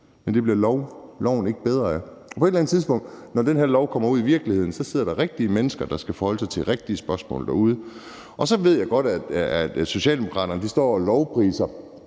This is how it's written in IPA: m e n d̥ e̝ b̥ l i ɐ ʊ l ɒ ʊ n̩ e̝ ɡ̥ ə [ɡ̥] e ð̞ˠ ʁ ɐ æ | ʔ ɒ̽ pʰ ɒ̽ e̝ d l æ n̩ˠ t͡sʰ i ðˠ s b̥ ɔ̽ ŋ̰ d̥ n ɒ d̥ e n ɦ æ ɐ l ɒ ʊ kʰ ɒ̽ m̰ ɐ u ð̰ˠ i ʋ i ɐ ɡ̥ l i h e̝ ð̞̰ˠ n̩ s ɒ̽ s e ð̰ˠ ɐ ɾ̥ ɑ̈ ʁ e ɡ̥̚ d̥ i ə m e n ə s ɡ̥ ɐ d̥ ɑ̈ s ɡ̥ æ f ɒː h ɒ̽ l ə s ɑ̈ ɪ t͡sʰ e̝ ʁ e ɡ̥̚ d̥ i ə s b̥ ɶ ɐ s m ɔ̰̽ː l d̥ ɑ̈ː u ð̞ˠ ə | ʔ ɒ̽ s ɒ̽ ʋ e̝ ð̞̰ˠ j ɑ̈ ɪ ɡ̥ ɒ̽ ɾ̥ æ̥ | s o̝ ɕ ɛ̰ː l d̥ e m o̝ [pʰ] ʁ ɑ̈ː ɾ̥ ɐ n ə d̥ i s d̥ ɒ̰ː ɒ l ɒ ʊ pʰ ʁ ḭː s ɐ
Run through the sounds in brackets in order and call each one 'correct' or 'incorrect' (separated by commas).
incorrect, incorrect